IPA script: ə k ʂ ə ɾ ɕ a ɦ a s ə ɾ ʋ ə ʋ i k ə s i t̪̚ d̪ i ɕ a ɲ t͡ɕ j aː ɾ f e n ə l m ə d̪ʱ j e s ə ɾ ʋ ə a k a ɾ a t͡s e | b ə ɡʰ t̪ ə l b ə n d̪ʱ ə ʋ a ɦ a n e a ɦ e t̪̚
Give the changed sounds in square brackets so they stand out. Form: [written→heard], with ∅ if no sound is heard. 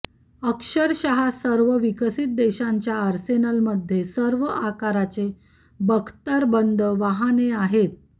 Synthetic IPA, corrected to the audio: ə k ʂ ə ɾ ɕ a ɦ a s ə ɾ ʋ ə ʋ i k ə s i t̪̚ d̪ [i→e] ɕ a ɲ t͡ɕ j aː ɾ [f→s] e n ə l m ə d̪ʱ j e s ə ɾ ʋ ə a k a ɾ a t͡s e | b ə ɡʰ t̪ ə [l→ɾ] b ə n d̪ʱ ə ʋ a ɦ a n e a ɦ e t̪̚